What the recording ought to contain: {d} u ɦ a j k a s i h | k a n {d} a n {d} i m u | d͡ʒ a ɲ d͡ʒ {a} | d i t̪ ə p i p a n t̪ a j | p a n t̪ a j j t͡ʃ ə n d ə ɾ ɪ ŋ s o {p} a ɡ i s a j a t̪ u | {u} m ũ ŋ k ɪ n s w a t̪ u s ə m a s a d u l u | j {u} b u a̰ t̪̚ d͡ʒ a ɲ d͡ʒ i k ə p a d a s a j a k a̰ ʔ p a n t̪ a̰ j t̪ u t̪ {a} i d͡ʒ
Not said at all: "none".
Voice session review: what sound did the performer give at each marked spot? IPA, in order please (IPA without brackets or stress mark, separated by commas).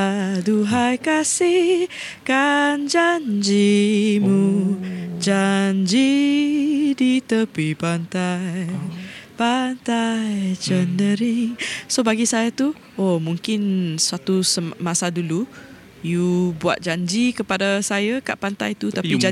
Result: d, d͡ʒ, d͡ʒ, i, b, o, u, a